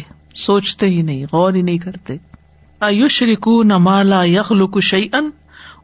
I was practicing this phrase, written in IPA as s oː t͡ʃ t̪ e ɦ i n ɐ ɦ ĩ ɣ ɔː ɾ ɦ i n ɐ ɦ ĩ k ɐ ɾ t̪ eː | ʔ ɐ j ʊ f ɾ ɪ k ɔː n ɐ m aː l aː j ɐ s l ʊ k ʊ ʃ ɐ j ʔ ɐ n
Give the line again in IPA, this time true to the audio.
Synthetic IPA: s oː t͡ʃ t̪ e ɦ i n ɐ ɦ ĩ ɣ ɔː ɾ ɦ i n ɐ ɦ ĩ k ɐ ɾ t̪ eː | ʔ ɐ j ʊ ʃ ɾ ɪ k uː n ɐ m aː l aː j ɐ x l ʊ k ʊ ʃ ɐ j ʔ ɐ n